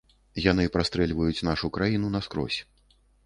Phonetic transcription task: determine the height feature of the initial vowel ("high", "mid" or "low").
low